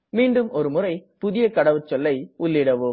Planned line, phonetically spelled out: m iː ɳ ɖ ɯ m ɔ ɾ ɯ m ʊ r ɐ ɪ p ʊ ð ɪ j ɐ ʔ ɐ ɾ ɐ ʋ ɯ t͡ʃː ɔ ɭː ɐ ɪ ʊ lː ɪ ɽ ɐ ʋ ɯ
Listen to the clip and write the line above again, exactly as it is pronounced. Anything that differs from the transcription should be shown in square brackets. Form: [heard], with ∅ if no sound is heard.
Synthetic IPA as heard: m iː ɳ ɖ ɯ m ɔ ɾ ɯ m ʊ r ɐ ɪ p ʊ ð ɪ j ɐ [k] ɐ [ɽ] ɐ ʋ ɯ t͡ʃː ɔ [lː] ɐ ɪ ʊ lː ɪ ɽ ɐ ʋ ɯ